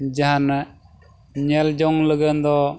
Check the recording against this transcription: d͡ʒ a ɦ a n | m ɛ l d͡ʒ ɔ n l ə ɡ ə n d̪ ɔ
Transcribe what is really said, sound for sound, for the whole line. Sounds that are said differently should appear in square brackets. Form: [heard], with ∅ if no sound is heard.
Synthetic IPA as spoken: d͡ʒ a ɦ a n | [ɲ] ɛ l d͡ʒ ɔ [ŋ] l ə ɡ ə n d̪ ɔ

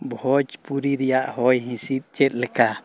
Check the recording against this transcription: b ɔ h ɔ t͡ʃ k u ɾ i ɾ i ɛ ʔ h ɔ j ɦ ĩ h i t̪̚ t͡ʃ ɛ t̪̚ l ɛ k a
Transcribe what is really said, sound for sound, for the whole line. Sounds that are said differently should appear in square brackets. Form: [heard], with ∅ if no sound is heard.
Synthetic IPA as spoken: b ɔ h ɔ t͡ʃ [p] u ɾ i ɾ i [a] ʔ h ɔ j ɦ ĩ [s] i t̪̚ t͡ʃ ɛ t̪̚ l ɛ k a

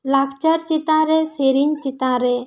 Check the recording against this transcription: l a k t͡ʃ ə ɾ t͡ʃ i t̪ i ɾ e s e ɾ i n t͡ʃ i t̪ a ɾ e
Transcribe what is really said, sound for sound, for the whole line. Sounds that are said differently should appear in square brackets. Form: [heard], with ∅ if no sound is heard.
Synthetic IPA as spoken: l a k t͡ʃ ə ɾ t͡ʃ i t̪ [a] ɾ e s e ɾ i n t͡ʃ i t̪ a ɾ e

